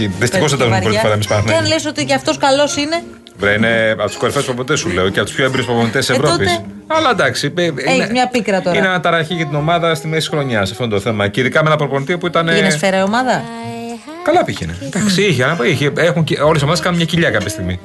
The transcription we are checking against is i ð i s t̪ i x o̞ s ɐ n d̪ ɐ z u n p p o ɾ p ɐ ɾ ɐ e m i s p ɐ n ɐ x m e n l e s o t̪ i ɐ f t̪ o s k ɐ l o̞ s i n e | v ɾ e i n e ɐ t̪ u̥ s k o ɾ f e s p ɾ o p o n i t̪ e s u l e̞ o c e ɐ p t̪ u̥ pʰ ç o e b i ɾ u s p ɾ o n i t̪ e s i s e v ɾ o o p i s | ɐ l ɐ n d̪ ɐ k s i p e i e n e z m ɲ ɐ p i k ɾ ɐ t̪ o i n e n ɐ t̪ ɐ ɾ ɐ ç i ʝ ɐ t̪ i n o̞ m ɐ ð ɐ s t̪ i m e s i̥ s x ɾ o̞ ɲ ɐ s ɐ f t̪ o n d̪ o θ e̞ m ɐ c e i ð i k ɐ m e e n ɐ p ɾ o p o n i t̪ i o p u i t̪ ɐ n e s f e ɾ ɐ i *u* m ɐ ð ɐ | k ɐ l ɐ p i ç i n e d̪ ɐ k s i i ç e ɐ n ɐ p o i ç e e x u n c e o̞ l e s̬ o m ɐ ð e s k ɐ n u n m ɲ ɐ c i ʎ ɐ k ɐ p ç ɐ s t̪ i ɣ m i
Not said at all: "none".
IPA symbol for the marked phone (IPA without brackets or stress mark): o